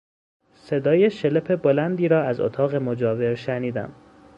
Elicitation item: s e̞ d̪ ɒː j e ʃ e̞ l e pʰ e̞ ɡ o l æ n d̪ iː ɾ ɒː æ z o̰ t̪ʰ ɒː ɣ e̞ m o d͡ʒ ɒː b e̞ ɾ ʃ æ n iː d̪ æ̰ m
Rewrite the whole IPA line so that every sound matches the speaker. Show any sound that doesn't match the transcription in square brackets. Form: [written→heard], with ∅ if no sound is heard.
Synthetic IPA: s e̞ d̪ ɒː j e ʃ e̞ l e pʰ e̞ [ɡ→b] o l æ n d̪ iː ɾ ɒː æ z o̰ t̪ʰ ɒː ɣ e̞ m o d͡ʒ ɒː [b→v] e̞ ɾ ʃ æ n iː d̪ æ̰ m